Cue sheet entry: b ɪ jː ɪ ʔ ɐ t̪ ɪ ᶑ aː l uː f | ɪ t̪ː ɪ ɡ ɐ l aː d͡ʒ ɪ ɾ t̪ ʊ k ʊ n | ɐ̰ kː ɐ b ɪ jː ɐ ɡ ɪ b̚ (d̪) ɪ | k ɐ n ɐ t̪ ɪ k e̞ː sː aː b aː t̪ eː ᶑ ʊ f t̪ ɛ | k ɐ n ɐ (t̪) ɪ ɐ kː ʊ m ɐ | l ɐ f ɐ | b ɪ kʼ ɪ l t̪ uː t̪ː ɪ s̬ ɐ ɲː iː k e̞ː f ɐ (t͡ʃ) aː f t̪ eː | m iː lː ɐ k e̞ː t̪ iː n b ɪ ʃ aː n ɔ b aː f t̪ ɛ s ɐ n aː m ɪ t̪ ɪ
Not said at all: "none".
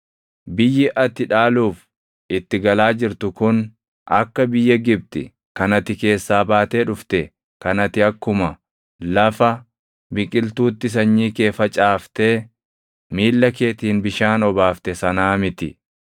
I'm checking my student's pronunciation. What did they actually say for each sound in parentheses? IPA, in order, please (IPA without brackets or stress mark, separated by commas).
t̪, t̪, t͡ʃʼ